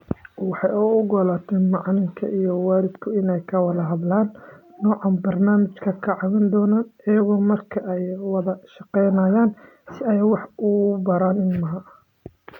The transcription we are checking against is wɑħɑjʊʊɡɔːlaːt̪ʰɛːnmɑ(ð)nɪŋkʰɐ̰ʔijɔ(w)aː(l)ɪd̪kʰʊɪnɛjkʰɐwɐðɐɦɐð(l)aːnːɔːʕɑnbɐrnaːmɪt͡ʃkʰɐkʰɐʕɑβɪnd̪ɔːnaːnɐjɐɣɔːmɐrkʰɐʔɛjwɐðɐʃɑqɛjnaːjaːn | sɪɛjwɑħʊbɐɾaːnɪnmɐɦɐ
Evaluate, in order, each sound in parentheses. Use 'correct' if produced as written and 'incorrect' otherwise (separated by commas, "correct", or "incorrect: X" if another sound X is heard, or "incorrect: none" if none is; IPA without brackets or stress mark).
incorrect: ʕ, correct, incorrect: ɾ, correct